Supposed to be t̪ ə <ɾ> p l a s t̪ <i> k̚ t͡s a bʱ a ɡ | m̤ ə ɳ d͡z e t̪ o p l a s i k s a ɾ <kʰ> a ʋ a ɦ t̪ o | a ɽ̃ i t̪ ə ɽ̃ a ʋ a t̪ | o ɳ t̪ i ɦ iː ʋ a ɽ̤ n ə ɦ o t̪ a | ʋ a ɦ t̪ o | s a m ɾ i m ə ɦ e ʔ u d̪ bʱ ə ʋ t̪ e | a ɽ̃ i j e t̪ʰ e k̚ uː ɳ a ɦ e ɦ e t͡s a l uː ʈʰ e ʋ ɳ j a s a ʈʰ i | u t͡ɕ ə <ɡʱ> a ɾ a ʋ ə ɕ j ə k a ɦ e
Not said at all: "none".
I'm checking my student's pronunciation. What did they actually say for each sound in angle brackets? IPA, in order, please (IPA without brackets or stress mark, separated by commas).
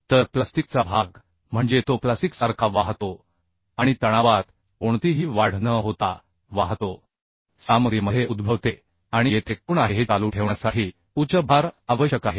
ɾ, i, kʰ, bʱ